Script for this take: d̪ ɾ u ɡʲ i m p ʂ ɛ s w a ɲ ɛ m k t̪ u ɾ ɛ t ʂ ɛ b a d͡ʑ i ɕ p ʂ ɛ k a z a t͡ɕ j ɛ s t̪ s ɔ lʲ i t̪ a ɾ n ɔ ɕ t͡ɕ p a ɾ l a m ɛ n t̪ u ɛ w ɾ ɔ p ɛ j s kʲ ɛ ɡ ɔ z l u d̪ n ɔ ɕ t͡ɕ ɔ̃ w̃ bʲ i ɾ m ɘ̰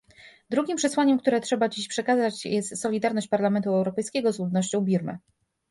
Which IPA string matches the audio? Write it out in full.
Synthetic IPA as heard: d̪ ɾ u ɡʲ i m p ʂ ɛ s w a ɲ ɛ m k t̪ u ɾ ɛ t ʂ ɛ b a d͡ʑ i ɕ p ʂ ɛ k a z a t͡ɕ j ɛ s t̪ s ɔ lʲ i d̪ a ɾ n ɔ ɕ t͡ɕ p a ɾ l a m ɛ n t̪ u ɛ w ɾ ɔ p ɛ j s kʲ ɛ ɡ ɔ z l u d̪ n ɔ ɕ t͡ɕ ɔ̃ w̃ bʲ i ɾ m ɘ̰